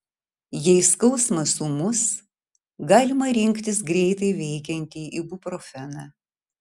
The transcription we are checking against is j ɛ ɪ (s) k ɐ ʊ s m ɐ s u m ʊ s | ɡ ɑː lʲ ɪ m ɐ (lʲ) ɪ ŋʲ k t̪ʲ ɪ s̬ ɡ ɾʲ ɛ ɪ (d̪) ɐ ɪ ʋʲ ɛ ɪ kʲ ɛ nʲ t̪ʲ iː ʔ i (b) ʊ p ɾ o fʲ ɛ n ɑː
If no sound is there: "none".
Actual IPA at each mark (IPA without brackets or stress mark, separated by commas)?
s, ɾʲ, t̪, b